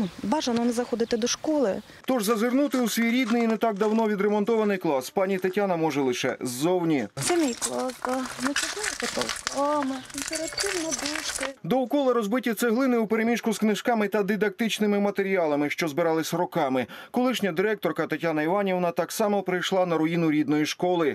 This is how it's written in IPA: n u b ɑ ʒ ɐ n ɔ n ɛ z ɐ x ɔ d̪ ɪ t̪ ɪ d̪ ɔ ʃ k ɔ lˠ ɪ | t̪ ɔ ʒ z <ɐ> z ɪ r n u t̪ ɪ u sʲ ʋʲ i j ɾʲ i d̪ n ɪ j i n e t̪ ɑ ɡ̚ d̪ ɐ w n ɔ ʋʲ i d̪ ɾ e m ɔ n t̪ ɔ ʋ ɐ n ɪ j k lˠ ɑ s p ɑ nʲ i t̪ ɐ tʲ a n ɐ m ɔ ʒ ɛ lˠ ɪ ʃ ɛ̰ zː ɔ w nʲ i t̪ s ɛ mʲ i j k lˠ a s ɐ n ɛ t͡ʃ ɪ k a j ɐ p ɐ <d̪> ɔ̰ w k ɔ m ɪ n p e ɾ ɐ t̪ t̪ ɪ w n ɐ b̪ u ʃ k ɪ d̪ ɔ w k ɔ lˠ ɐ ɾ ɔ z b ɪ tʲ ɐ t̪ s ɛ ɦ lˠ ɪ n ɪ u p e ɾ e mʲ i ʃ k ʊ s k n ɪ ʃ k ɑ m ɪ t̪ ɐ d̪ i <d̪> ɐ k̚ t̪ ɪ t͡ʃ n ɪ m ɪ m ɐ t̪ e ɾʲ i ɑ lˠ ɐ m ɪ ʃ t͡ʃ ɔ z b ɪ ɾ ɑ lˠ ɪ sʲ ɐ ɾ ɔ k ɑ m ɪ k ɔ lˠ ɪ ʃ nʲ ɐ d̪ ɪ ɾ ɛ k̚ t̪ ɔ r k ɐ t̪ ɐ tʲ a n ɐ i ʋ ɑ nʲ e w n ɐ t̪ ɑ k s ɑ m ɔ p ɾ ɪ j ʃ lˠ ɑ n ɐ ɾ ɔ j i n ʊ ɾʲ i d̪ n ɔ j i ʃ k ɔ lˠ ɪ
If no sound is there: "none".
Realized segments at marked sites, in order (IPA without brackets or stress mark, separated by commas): ɐ, t̪, d̪